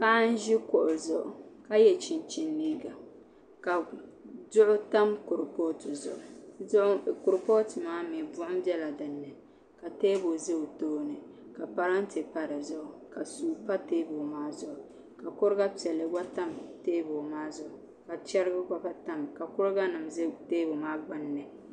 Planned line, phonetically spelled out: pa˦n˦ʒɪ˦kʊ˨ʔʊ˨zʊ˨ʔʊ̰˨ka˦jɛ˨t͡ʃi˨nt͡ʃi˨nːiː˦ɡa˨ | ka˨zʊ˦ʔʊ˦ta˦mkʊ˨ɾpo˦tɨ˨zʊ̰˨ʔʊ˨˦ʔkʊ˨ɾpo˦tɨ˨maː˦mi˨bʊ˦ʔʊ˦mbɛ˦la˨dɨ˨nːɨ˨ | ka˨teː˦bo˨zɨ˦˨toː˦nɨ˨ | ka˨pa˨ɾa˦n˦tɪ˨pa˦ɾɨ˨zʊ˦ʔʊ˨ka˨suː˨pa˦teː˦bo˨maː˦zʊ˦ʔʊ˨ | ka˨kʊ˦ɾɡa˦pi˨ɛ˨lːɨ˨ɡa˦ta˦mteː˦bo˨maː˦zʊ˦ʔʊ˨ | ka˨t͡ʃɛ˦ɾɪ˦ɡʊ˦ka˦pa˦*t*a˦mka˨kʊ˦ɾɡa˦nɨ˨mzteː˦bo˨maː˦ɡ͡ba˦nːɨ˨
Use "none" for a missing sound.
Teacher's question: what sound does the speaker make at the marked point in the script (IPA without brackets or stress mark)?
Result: t